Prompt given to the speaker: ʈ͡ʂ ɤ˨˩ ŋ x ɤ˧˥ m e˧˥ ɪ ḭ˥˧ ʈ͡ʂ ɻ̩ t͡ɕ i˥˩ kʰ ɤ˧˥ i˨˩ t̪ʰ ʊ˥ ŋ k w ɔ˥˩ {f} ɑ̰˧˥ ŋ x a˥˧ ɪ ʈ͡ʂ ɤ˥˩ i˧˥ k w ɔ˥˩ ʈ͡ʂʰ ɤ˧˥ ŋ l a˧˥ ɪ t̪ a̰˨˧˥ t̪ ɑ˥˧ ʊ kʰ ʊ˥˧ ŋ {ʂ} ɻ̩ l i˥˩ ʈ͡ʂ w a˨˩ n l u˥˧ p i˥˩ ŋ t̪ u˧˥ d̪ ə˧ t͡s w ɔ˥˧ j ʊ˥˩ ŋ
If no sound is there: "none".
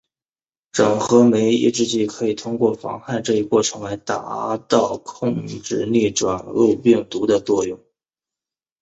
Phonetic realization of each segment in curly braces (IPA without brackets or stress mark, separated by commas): f, ʈ͡ʂ